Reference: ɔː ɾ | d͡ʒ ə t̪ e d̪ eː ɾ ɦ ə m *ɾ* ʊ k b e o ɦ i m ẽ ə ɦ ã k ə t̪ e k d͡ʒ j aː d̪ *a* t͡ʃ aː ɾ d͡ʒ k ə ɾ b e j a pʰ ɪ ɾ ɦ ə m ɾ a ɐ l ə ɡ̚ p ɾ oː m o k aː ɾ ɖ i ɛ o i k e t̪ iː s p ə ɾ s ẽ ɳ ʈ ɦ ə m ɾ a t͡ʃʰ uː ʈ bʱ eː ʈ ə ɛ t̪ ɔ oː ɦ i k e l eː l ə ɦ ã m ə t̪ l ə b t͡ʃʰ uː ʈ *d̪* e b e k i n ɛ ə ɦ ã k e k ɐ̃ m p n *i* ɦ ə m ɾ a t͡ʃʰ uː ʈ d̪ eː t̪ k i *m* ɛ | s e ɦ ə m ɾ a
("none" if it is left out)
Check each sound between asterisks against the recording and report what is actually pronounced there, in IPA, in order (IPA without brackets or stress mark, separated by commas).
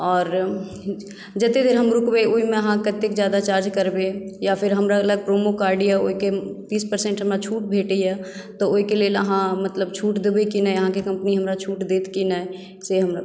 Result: ɾ, a, d̪, i, n